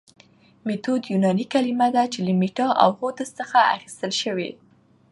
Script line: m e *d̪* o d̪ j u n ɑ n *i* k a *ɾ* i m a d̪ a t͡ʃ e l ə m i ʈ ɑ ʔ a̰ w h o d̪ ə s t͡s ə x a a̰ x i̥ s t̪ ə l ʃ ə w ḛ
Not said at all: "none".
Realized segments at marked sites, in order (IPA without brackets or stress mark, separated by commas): t̪, i, l